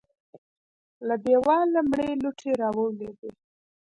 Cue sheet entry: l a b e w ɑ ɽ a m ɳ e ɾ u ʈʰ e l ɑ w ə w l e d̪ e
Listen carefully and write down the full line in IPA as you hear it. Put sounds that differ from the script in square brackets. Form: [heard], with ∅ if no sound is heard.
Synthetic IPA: l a b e w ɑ [l] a m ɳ e [l] u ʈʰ e [ɾ] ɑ w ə w l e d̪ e